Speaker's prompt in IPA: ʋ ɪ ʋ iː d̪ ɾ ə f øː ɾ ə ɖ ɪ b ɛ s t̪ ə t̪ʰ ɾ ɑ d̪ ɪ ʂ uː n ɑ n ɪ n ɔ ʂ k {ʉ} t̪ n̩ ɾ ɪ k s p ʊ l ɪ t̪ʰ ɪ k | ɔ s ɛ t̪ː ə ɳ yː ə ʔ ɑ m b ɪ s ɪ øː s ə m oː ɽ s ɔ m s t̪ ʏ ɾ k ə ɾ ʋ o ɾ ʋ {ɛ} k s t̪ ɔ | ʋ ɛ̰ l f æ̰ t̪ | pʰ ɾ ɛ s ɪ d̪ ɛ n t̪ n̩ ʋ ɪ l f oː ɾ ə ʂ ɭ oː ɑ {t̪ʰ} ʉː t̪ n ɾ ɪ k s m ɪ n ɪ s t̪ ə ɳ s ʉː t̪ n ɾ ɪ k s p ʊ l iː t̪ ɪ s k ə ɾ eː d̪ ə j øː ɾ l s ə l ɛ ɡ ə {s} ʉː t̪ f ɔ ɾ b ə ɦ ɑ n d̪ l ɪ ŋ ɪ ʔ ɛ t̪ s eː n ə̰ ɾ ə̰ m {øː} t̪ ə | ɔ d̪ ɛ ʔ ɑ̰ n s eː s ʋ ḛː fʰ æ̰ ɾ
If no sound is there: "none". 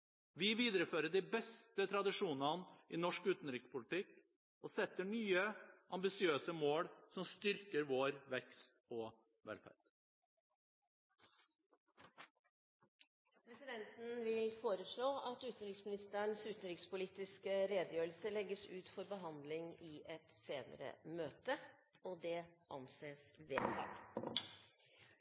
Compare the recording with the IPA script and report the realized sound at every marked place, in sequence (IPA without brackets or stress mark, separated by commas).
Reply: ʉː, ɛ, t̪, s, øː